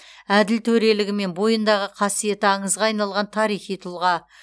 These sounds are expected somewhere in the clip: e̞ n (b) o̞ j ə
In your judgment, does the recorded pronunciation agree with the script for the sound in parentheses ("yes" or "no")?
yes